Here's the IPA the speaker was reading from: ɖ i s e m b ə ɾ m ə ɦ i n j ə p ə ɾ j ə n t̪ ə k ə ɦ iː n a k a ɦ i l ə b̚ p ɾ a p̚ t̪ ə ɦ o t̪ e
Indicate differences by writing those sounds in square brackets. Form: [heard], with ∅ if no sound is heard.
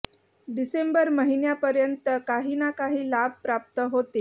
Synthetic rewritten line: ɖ i s e m b ə ɾ m ə ɦ i n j [a] p ə ɾ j ə n t̪ ə k [a] ɦ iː n a k a ɦ [iː] l [a] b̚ p ɾ a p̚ t̪ ə ɦ o t̪ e